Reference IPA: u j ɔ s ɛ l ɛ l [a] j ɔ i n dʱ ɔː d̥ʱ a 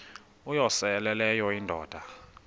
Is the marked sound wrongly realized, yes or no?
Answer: yes